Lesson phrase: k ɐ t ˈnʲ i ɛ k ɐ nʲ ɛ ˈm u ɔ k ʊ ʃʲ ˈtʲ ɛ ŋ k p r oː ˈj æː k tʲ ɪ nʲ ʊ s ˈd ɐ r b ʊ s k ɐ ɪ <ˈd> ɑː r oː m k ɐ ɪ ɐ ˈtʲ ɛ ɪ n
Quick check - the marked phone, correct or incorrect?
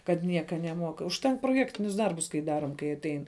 correct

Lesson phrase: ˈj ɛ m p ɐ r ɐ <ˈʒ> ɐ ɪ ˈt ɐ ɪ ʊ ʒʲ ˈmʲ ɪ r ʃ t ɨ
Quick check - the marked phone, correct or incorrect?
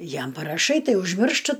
incorrect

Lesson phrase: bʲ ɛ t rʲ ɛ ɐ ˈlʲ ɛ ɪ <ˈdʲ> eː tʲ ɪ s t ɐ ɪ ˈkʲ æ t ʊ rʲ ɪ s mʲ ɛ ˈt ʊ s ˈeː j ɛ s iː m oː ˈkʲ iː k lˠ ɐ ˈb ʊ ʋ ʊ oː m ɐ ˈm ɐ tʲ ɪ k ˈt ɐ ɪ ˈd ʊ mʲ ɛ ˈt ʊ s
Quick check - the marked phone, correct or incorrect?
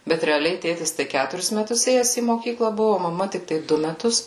incorrect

